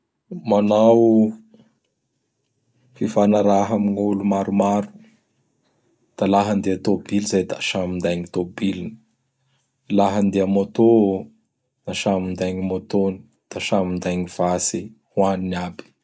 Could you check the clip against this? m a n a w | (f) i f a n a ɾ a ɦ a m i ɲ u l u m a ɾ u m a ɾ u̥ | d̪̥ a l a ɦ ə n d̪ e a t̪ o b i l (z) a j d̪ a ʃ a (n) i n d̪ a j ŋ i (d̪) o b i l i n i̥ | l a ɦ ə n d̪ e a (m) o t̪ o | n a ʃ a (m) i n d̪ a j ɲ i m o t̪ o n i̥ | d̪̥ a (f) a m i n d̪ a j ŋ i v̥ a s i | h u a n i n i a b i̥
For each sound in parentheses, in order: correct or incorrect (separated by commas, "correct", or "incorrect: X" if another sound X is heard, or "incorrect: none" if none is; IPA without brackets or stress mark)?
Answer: correct, correct, incorrect: m, incorrect: t̪, correct, correct, incorrect: ʃ